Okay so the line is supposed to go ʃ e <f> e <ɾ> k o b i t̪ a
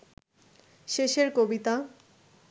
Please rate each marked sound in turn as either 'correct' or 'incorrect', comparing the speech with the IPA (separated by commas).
incorrect, correct